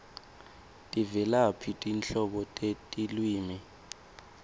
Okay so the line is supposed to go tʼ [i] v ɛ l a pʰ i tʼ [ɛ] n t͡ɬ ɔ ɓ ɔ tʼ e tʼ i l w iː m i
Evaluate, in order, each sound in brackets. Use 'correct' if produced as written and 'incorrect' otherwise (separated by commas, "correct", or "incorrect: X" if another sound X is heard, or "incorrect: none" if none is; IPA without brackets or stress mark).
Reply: correct, incorrect: i